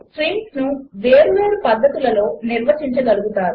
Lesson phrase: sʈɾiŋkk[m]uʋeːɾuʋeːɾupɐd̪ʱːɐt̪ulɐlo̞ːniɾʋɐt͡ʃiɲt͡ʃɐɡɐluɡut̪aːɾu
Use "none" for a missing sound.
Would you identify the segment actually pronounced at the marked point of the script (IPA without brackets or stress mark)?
n